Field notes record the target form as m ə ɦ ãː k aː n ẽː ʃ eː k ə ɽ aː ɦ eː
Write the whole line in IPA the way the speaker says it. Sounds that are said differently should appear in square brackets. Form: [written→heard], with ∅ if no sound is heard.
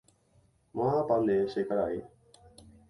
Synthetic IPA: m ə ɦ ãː [k→p] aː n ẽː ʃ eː k ə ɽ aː ɦ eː